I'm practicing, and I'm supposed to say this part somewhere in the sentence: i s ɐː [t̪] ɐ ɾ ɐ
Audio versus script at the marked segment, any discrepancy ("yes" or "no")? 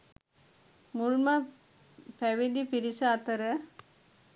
no